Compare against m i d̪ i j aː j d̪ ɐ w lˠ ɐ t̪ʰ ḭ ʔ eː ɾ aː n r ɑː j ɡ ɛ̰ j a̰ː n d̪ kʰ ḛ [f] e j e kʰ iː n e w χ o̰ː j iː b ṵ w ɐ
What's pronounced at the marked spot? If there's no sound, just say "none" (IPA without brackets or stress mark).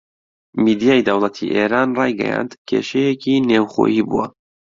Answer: ʃ